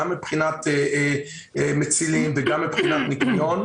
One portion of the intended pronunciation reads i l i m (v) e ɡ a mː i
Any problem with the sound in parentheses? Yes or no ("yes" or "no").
no